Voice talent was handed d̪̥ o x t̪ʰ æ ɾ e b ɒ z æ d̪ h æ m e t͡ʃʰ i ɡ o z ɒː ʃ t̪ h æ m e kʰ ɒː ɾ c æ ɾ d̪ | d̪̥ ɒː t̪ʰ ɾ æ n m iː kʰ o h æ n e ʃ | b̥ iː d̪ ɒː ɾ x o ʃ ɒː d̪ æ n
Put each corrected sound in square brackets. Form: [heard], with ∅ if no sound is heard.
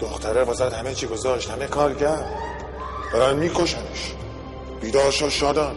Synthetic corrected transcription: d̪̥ o x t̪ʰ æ ɾ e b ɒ z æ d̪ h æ m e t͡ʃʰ i ɡ o z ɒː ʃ t̪ h æ m e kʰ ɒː ɾ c æ ɾ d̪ | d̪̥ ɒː [∅] ɾ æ n m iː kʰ o [ʃ] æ n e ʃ | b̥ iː d̪ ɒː ɾ [ʃ] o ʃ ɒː d̪ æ n